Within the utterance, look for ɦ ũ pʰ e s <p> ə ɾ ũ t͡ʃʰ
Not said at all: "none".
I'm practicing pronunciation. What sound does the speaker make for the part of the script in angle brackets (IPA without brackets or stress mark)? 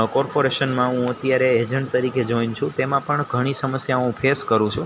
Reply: k